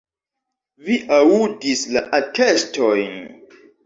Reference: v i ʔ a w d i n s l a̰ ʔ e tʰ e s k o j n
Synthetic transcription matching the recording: v i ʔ a u d i s l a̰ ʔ a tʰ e s t o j n